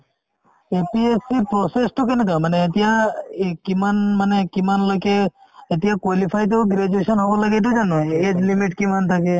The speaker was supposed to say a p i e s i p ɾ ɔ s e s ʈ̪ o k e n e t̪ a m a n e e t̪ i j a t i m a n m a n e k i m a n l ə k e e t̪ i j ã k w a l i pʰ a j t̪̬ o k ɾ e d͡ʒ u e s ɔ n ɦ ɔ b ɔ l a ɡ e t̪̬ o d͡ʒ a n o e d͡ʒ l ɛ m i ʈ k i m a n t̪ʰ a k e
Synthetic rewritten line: e p i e s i p ɾ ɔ s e s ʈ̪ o k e n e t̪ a m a n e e t̪ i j a k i m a n m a n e k i m a n l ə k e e t̪ i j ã k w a l i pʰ a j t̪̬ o ɡ ɾ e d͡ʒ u e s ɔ n ɦ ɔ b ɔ l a ɡ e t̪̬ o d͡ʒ a n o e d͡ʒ l i m i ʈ k i m a n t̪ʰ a k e